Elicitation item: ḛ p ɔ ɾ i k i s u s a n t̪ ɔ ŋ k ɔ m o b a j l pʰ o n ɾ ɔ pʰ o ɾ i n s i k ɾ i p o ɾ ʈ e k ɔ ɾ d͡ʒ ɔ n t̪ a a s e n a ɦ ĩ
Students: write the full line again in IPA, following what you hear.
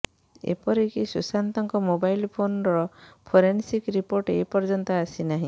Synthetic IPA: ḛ p ɔ ɾ i k i s u s a n t̪ ɔ ŋ k ɔ m o b a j l pʰ o n ɾ ɔ pʰ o ɾ e n s i k ɾ i p o ɾ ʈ e p ɔ ɾ d͡ʒ ɔ n t̪ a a s i n a ɦ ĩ